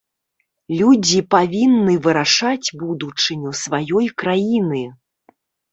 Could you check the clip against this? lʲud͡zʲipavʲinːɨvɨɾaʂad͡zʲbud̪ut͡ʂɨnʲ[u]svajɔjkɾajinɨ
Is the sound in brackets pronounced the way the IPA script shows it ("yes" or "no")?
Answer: yes